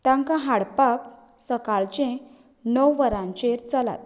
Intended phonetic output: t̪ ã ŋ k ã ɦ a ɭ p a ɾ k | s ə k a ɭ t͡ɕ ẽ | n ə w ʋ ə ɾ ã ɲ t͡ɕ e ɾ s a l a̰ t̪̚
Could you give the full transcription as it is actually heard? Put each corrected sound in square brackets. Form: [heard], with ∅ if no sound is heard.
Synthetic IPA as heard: t̪ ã ŋ k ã ɦ a [ɽ] p a [∅] k | s ə k a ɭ t͡ɕ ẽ | n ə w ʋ ə ɾ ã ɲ t͡ɕ e ɾ [t͡s] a l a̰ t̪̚